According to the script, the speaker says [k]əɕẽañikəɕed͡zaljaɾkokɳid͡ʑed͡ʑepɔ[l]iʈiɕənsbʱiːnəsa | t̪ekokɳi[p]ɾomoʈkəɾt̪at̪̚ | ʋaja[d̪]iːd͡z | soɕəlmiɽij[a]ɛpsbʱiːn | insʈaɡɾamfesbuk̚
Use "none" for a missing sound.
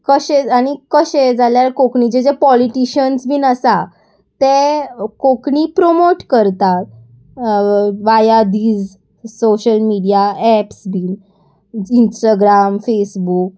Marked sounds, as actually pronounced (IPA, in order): k, l, p, d̪, a

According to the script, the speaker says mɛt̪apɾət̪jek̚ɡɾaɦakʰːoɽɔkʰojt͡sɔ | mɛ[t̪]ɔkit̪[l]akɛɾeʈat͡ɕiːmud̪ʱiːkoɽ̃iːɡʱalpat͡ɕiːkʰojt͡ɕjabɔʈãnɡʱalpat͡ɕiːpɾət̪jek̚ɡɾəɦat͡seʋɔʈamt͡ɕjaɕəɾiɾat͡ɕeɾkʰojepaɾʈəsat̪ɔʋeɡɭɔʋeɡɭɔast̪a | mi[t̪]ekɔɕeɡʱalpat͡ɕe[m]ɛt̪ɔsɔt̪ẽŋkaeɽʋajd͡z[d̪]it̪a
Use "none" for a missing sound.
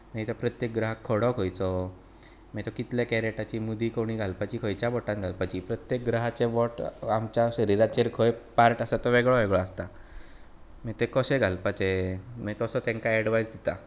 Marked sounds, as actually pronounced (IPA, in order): t̪, l, t̪, m, d̪

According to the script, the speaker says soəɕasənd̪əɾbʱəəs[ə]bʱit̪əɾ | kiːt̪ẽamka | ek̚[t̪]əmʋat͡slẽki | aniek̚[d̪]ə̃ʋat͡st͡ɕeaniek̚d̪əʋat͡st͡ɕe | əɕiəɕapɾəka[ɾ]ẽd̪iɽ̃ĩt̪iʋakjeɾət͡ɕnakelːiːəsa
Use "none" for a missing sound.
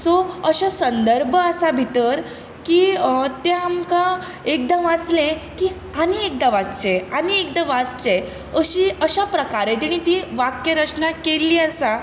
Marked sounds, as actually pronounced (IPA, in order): a, d̪, d̪, ɾ

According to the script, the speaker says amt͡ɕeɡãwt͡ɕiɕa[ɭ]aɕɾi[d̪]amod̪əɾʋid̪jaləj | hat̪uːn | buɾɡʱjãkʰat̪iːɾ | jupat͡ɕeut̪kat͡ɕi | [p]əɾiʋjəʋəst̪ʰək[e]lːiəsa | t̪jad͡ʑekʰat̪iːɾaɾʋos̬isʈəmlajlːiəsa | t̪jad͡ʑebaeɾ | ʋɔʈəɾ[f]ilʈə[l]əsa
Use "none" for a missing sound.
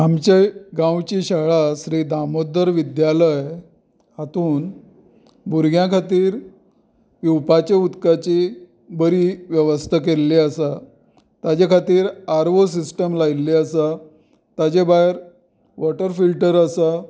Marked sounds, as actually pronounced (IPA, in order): ɭ, d̪, b, e, f, ɾ

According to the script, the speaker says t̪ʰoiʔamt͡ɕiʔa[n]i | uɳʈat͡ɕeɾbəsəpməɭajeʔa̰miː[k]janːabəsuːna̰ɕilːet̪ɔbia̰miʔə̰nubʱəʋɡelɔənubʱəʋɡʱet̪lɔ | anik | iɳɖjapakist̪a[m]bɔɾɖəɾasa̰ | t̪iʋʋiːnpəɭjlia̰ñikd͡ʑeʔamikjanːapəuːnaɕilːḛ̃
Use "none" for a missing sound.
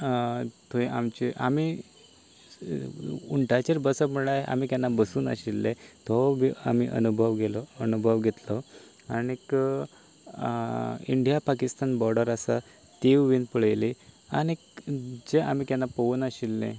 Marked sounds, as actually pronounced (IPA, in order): m, k, n

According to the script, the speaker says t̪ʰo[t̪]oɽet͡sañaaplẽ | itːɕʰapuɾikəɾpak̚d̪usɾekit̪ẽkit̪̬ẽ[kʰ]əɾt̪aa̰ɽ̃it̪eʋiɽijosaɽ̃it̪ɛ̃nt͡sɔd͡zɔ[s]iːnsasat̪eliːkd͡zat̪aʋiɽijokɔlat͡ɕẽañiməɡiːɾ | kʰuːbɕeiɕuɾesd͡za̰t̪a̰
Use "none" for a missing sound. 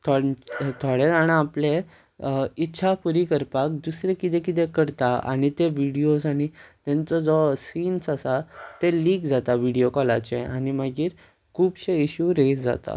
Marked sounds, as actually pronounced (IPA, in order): t̪ʰ, k, s

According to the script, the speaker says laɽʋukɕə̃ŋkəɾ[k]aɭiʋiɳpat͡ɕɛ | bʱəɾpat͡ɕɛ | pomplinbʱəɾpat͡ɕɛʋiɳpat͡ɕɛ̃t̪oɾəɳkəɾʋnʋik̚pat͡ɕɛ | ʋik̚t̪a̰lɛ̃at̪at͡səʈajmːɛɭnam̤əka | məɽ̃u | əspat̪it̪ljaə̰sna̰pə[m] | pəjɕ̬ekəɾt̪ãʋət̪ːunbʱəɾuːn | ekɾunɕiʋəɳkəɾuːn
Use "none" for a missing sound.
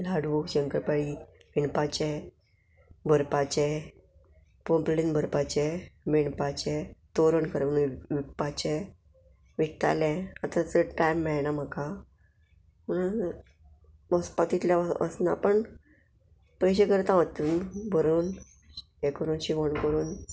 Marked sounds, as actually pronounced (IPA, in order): p, ɳ

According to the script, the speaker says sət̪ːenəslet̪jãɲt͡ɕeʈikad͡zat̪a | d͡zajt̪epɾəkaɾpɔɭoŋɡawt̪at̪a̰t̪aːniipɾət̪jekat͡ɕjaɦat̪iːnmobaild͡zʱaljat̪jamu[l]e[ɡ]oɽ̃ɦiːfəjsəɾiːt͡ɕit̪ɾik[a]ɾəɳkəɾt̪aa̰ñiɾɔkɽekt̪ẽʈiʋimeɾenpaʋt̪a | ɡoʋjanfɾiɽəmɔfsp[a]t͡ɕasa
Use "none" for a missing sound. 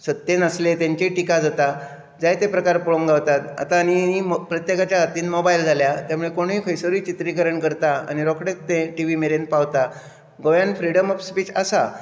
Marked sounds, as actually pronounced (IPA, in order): ɭ, k, ə, i

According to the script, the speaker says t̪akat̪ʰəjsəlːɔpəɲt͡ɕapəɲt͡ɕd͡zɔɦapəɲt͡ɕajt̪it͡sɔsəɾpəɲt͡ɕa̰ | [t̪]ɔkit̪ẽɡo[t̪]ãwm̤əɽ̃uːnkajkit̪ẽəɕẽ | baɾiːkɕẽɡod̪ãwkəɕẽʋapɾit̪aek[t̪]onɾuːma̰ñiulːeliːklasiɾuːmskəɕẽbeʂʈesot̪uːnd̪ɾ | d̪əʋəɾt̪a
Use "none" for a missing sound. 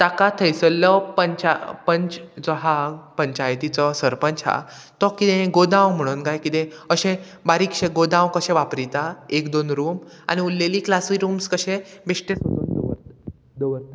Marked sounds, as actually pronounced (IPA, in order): t̪, d̪, d̪

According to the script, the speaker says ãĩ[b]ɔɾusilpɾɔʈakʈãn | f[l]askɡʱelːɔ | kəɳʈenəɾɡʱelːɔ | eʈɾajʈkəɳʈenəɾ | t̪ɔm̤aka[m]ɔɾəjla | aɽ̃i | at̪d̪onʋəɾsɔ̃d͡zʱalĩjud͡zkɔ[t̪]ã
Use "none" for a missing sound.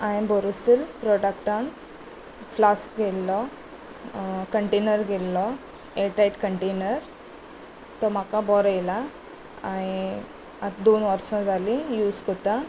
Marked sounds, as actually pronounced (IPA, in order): b, l, b, t̪

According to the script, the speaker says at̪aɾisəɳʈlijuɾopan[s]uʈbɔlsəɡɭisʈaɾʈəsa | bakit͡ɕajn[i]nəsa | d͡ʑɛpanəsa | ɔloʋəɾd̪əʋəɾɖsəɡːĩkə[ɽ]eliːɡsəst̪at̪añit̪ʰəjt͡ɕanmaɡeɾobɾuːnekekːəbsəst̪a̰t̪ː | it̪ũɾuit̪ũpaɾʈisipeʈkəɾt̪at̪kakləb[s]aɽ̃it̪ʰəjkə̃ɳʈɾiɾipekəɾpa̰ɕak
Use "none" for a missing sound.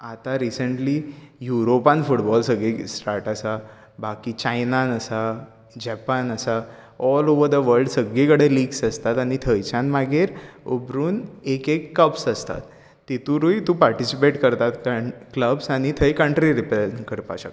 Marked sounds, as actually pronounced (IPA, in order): f, a, ɽ, s

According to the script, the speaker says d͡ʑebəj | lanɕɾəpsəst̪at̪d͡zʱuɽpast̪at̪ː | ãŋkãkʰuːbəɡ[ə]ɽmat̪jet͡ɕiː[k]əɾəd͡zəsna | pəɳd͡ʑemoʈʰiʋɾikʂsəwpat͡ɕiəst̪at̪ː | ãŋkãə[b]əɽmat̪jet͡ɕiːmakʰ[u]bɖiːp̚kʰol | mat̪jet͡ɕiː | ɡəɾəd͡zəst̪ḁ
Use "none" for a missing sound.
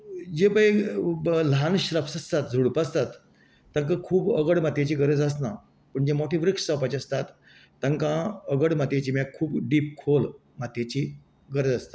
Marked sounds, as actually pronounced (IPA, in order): ə, ɡ, ɡ, uː

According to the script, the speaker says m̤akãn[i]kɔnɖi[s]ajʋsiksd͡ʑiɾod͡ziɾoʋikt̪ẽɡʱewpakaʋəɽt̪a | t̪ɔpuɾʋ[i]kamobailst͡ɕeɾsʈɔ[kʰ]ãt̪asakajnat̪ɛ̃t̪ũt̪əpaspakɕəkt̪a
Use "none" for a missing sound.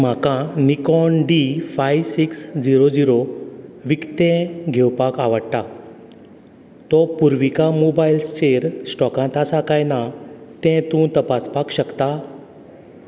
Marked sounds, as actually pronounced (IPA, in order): i, f, i, k

